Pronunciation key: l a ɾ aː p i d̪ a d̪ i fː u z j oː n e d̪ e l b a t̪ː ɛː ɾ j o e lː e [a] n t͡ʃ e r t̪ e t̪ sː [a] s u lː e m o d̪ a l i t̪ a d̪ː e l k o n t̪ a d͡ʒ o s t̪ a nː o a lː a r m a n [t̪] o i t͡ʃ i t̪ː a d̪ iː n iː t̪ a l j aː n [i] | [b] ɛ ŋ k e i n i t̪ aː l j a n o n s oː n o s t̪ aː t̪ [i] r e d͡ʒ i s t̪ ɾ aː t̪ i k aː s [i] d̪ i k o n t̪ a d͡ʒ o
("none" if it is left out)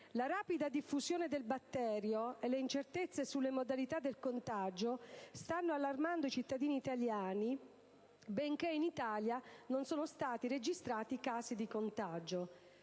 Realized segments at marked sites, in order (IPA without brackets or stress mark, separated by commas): i, e, d̪, i, b, i, i